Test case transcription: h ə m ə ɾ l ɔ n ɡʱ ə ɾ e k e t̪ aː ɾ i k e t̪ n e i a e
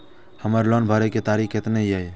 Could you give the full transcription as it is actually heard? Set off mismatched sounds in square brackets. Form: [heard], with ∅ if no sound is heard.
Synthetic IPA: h ə m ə ɾ l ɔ n [bʱ] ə ɾ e k e t̪ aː ɾ i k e t̪ n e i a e